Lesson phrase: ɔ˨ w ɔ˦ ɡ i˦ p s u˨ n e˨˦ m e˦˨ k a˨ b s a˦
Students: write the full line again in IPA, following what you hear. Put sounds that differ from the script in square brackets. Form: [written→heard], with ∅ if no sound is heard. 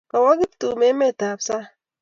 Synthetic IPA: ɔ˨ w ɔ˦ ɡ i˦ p [s→t] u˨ [n→m] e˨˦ m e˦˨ [k→t] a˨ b s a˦